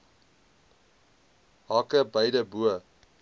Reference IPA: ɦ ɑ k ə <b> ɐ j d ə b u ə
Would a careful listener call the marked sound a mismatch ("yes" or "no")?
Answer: no